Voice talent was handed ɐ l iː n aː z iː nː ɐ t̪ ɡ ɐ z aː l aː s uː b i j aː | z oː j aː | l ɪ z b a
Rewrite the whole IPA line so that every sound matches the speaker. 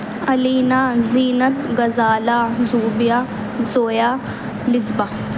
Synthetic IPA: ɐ l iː n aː z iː n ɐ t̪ ɡ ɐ z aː l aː z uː b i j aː | z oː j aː | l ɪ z b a